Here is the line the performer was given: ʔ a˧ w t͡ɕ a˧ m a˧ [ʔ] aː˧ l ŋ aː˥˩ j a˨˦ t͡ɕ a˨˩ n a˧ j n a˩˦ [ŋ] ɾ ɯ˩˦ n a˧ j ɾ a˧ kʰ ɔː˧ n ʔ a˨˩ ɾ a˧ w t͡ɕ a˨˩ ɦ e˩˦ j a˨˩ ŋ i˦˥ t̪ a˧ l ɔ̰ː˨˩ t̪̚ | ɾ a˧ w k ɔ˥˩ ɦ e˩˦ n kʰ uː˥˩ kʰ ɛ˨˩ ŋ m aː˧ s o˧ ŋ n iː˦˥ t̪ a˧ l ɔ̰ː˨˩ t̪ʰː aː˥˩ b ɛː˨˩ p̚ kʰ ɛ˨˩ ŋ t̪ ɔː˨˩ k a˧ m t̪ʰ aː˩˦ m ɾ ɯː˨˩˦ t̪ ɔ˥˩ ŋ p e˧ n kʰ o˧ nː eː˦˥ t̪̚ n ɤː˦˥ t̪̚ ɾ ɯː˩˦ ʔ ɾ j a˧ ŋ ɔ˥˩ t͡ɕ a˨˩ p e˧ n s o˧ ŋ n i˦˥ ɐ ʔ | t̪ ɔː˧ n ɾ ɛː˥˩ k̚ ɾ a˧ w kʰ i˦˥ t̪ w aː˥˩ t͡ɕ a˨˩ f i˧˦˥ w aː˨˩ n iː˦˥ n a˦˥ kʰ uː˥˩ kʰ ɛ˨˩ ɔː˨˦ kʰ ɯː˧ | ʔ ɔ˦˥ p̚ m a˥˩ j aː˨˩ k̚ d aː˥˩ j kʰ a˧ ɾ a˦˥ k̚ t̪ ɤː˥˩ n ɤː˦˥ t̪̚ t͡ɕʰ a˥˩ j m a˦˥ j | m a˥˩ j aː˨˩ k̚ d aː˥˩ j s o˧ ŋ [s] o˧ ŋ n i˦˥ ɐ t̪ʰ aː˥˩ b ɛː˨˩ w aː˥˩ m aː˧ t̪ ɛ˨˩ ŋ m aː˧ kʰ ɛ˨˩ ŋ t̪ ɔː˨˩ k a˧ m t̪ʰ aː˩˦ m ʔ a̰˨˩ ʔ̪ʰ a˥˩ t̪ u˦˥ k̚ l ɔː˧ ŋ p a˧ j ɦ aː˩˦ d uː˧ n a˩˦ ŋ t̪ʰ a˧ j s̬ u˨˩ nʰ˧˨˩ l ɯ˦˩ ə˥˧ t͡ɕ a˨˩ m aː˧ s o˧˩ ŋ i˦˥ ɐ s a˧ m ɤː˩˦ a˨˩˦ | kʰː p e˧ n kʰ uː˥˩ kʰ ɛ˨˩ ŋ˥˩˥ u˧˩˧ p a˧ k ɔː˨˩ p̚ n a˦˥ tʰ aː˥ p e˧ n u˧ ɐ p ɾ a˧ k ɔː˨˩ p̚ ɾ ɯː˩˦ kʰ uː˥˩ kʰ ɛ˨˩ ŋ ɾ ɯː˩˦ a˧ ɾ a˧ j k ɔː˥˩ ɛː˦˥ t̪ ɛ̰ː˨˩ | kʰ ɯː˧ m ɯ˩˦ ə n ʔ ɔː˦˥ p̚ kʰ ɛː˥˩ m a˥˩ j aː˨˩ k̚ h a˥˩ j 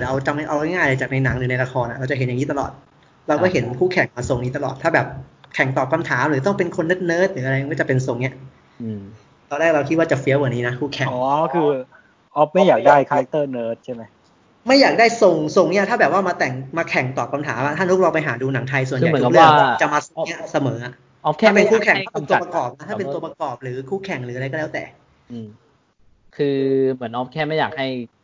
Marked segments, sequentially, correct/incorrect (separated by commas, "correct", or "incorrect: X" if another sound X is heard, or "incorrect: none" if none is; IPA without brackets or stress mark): correct, correct, correct